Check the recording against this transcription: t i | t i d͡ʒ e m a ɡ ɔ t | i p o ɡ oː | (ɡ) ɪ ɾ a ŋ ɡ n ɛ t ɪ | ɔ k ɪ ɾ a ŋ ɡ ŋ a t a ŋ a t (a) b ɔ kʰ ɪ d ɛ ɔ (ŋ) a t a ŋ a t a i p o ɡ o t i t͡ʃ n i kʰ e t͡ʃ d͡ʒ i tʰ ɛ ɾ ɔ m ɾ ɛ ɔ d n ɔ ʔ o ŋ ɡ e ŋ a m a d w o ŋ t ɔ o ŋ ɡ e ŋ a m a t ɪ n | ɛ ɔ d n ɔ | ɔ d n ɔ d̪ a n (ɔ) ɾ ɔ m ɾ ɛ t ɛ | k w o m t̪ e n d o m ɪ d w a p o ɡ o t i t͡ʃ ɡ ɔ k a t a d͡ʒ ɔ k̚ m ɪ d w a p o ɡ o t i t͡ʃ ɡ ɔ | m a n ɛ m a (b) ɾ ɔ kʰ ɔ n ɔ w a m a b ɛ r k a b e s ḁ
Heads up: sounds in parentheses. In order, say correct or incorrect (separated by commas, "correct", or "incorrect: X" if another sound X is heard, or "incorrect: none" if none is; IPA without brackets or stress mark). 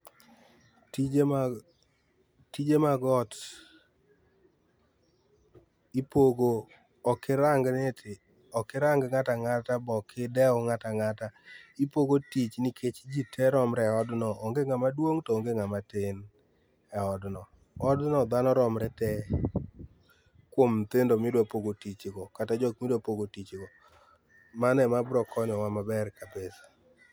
incorrect: k, correct, correct, correct, correct